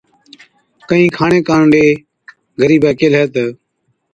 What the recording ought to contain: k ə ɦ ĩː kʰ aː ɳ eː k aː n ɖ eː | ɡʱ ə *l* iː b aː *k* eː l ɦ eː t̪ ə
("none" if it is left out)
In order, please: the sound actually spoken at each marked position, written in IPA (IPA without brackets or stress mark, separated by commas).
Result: ɾ, k